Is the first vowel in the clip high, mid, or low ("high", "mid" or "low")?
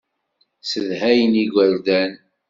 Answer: mid